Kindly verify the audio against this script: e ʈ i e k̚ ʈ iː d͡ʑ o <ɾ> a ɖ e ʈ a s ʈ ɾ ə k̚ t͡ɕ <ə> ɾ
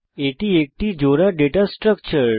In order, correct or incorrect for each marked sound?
correct, correct

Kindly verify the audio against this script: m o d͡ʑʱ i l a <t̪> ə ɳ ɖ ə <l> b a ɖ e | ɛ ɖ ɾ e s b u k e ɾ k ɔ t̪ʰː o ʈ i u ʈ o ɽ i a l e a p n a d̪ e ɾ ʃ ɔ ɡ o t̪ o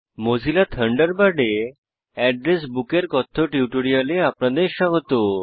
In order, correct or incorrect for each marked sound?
incorrect, incorrect

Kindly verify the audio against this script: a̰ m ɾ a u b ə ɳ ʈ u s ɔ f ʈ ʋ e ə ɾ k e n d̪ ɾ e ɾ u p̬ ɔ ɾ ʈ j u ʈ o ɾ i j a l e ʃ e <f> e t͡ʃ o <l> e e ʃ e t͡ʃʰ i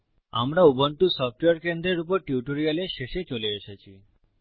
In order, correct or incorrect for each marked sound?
incorrect, correct

